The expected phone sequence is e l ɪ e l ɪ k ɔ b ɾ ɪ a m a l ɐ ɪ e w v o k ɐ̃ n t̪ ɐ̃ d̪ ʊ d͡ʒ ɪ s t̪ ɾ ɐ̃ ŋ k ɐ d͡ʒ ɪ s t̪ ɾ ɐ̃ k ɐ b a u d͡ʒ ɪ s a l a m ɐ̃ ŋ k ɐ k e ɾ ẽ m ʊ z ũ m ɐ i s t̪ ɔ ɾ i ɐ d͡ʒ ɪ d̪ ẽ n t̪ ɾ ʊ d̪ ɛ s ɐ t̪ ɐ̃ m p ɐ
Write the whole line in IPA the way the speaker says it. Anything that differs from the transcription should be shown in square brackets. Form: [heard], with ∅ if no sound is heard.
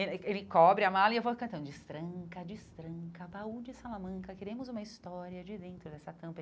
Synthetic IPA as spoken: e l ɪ e l ɪ k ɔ b ɾ ɪ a m a l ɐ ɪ e w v o k ɐ̃ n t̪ ɐ̃ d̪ ʊ d͡ʒ ɪ s t̪ ɾ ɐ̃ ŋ k ɐ d͡ʒ ɪ s t̪ ɾ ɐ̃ k ɐ b a u d͡ʒ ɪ s a l a m ɐ̃ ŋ k ɐ k e ɾ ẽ m ʊ z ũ m ɐ i s t̪ ɔ ɾ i ɐ d͡ʒ ɪ d̪ ẽ n t̪ ɾ ʊ d̪ ɛ s ɐ t̪ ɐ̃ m p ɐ